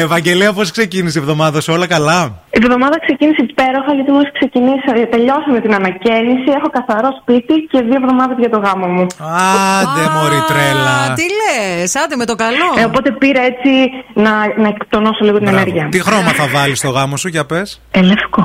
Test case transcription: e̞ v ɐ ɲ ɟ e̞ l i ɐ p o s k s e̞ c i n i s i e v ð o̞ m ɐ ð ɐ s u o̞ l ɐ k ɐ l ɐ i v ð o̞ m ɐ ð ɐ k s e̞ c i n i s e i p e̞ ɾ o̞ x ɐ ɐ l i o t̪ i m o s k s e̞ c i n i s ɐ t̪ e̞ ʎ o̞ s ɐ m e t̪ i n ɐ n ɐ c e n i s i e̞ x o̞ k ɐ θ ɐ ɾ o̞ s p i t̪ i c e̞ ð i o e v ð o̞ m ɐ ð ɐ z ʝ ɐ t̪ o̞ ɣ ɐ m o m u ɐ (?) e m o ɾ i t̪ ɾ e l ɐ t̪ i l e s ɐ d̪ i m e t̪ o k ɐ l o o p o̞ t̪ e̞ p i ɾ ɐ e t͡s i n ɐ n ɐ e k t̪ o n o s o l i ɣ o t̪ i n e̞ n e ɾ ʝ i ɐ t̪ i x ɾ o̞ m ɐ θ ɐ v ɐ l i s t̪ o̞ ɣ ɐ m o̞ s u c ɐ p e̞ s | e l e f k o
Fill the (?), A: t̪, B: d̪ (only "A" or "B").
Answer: B